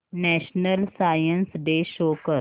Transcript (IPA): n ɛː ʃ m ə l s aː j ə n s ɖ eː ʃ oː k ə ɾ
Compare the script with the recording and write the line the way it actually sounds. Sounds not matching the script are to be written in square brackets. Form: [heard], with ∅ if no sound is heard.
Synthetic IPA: n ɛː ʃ [n] ə l s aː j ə n s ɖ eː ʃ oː k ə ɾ